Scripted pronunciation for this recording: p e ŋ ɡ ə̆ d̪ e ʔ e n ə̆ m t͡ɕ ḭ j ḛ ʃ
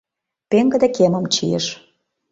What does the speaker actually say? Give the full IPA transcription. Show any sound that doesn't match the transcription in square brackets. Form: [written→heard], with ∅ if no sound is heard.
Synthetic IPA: p e ŋ ɡ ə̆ d̪ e [ʔ→k] e [n→m] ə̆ m t͡ɕ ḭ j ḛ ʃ